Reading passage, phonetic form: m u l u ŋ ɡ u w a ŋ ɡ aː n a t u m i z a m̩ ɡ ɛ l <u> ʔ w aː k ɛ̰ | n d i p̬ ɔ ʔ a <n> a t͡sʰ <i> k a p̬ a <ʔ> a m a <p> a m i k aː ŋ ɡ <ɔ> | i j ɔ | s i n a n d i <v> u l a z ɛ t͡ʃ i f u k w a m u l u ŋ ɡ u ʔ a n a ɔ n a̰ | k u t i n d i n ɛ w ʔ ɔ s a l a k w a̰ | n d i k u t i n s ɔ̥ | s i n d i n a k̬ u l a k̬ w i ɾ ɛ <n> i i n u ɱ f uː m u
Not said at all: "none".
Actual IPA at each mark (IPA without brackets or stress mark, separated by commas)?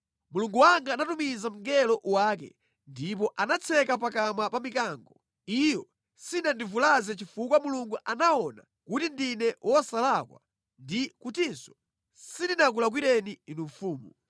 ɔ, n, ɛ, k, p, ɔ, v, n